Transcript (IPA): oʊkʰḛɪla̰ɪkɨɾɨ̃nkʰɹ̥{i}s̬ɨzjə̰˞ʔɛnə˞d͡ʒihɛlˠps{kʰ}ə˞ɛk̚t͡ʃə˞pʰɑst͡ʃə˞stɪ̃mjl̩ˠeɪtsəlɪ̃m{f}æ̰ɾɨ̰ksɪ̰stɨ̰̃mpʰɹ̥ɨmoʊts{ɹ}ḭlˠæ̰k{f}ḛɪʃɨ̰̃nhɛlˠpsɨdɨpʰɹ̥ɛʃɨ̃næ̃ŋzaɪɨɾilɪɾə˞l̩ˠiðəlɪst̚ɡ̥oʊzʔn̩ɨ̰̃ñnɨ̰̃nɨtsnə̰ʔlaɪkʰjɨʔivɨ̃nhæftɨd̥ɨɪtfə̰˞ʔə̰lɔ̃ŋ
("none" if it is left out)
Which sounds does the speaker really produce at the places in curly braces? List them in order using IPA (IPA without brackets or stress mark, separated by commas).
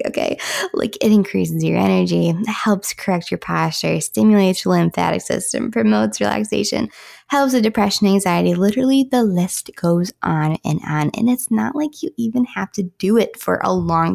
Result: i, kʰ, θ, ɹ, s